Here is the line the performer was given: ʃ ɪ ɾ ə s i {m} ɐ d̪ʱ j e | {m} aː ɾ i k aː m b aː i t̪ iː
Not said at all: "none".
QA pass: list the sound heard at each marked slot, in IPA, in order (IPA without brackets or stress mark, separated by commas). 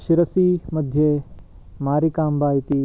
m, m